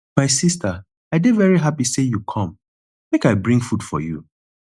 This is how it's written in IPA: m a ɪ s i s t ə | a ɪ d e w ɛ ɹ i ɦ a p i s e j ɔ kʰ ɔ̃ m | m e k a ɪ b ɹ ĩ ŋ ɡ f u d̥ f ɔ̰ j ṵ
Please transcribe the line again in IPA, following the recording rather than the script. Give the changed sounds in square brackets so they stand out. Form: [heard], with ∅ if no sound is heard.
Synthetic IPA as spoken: m a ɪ s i s t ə | a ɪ d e [v] ɛ ɹ i ɦ a p i s e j [u] kʰ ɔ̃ m | m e k a ɪ b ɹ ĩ ŋ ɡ f u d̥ f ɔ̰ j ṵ